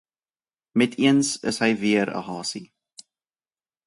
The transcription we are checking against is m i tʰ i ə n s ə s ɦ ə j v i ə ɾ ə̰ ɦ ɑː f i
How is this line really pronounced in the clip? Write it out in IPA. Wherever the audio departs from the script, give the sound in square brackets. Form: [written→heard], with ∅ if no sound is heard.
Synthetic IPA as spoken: m [i→ɛ] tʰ i ə n s ə s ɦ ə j v i ə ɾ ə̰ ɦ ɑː [f→s] i